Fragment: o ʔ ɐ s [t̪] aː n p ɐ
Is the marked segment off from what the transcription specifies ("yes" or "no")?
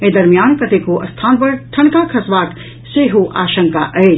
yes